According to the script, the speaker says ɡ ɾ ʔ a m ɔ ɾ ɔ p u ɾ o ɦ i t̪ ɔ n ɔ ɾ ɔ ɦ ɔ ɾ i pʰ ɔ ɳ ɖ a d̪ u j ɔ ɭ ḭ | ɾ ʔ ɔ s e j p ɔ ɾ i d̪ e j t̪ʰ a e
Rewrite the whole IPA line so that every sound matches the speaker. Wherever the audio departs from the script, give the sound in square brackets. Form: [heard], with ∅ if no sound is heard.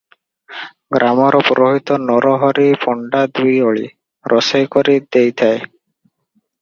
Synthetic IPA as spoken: ɡ ɾ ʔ a m ɔ ɾ ɔ p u ɾ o ɦ i t̪ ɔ n ɔ ɾ ɔ ɦ ɔ ɾ i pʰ ɔ ɳ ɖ a d̪ u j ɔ ɭ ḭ | ɾ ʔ ɔ s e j [k] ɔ ɾ i d̪ e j t̪ʰ a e